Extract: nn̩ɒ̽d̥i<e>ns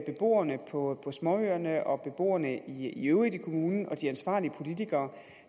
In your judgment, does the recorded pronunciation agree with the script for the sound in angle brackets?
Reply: no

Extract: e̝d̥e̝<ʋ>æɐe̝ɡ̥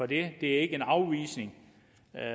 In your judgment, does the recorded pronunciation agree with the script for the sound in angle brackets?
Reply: no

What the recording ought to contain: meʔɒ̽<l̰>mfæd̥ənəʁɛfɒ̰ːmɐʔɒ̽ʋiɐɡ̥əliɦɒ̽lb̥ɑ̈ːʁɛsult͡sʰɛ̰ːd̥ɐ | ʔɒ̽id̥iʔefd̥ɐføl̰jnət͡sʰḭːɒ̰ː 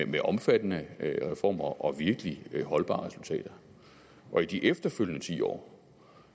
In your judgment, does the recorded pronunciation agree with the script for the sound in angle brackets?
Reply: no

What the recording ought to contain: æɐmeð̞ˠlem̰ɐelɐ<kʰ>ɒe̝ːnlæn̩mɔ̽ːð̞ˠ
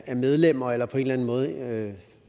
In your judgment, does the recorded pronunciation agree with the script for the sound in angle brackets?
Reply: no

